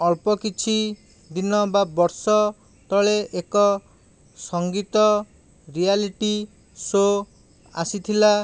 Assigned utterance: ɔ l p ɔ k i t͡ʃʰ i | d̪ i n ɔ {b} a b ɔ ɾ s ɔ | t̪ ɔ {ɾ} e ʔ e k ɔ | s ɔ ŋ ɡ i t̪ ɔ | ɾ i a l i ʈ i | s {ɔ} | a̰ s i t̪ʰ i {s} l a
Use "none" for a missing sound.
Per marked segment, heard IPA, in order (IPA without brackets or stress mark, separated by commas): b, ɭ, o, none